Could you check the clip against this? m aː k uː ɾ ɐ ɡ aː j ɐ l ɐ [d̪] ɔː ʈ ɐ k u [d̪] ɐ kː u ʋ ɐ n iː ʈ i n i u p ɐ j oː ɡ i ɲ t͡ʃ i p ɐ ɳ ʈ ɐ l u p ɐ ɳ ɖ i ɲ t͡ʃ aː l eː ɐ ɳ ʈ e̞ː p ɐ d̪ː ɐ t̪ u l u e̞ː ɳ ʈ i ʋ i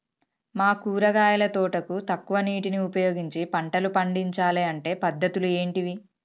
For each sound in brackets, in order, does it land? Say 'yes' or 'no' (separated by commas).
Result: no, no